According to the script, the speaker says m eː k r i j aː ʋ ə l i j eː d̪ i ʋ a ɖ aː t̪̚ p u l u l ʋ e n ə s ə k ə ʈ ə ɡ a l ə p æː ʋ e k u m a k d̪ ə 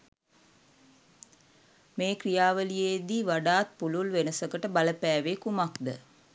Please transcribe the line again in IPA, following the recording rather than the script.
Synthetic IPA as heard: m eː k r i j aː ʋ ə l i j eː d̪ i ʋ a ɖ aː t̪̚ p u l u l ʋ e n ə s ə k ə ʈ ə b a l ə p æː ʋ e k u m a k d̪ ə